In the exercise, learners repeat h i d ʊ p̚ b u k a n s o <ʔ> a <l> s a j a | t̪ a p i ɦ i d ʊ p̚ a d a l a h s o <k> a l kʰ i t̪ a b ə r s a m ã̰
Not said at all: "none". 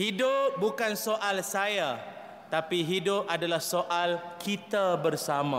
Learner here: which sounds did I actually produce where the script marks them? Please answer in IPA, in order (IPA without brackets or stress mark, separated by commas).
ʔ, l, ʔ